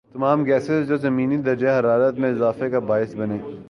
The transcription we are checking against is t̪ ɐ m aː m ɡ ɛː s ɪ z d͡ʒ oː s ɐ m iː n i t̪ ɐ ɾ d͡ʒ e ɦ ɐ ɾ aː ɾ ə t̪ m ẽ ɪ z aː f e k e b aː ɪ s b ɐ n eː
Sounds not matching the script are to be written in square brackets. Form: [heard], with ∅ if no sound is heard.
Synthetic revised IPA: t̪ ɐ m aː m ɡ ɛː s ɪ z d͡ʒ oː [z] ɐ m iː n i [d̪] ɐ ɾ d͡ʒ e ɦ ɐ ɾ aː ɾ ə t̪ m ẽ ɪ z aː f e k [a] b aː ɪ s b ɐ n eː